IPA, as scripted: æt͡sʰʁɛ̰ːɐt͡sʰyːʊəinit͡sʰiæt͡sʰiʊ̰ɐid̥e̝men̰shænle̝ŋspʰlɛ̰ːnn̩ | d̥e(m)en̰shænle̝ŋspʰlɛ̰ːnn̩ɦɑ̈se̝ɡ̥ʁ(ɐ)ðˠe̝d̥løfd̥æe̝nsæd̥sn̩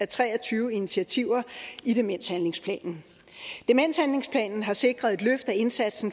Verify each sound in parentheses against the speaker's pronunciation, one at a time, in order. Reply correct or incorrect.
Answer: correct, correct

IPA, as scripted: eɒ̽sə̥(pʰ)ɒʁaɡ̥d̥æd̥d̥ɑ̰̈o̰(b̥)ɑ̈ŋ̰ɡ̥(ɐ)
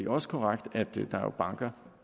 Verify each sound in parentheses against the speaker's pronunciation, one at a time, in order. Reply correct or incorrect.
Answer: incorrect, correct, correct

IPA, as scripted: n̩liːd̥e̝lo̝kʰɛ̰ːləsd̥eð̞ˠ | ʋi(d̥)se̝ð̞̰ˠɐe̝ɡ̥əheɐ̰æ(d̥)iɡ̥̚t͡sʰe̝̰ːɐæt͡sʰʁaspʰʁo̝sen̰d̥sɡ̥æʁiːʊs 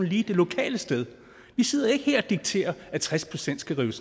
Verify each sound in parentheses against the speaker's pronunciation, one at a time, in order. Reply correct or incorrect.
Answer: incorrect, correct

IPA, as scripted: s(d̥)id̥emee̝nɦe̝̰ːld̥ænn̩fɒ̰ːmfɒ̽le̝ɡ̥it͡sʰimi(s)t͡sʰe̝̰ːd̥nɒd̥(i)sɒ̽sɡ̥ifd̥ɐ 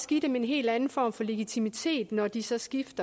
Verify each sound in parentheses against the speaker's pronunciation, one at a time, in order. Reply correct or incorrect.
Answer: incorrect, incorrect, correct

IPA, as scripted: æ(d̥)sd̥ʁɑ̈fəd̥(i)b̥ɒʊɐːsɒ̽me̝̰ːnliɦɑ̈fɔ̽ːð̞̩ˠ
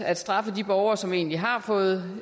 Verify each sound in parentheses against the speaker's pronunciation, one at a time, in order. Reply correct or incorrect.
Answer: correct, correct

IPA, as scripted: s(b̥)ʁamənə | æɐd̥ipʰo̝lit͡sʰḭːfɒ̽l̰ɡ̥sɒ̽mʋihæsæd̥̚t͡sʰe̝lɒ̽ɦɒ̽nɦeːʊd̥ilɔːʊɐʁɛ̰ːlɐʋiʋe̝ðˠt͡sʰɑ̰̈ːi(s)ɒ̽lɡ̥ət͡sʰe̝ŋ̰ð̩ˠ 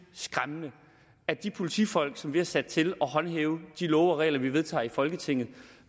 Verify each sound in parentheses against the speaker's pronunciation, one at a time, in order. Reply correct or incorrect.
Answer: incorrect, incorrect

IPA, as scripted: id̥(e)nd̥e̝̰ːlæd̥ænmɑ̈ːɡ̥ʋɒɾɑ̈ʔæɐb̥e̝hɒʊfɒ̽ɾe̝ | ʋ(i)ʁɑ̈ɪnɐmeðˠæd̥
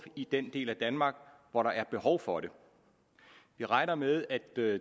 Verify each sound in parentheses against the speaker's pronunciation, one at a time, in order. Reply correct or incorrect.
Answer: correct, correct

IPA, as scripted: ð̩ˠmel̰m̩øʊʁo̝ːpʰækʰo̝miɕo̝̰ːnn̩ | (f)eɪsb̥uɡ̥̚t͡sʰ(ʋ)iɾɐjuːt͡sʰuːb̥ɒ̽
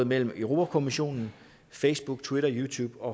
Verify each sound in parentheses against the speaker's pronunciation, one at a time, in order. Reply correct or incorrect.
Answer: correct, incorrect

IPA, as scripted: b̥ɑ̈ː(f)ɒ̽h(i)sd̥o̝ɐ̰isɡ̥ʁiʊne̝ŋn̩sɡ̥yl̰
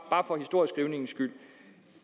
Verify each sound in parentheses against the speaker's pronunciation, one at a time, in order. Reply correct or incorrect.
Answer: correct, correct

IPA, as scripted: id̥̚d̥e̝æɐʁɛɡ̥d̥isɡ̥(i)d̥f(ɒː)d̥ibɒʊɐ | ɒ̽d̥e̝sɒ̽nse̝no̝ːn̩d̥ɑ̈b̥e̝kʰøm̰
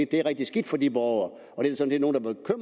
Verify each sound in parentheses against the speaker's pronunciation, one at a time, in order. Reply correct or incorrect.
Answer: correct, incorrect

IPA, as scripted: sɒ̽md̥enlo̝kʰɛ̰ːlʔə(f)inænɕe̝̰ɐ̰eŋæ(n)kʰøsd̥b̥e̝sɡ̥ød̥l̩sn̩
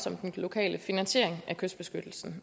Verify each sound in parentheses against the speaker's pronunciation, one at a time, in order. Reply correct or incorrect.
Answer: correct, incorrect

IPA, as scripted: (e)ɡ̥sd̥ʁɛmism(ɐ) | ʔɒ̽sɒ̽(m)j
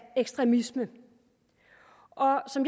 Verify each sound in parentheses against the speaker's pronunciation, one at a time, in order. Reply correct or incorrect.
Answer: correct, incorrect, correct

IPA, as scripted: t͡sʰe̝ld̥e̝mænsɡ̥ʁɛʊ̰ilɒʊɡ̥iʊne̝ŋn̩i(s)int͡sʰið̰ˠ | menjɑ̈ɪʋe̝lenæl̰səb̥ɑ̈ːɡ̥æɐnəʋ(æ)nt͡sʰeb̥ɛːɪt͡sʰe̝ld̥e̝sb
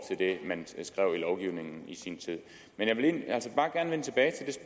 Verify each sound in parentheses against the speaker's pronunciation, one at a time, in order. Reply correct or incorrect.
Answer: correct, incorrect

